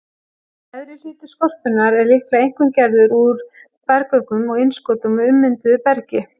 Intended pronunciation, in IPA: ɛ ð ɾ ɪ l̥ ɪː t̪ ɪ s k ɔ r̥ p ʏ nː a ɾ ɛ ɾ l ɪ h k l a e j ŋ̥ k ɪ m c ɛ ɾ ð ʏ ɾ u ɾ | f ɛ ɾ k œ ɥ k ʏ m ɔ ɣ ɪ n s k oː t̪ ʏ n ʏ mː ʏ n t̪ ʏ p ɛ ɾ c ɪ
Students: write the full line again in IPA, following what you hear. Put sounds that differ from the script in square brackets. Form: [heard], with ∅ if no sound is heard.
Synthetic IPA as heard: ɛ ð ɾ ɪ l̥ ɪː t̪ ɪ s k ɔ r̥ p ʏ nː a ɾ ɛ ɾ l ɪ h k l a e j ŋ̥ k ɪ m c ɛ ɾ ð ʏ ɾ u ɾ | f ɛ ɾ k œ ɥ k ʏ m ɔ ɣ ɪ n s k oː t̪ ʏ [m] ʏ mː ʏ n t̪ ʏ p ɛ ɾ c ɪ